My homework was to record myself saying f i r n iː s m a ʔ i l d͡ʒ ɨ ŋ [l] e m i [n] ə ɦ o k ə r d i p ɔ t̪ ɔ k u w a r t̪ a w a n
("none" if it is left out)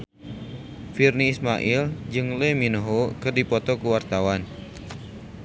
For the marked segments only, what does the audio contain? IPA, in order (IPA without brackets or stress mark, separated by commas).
l, n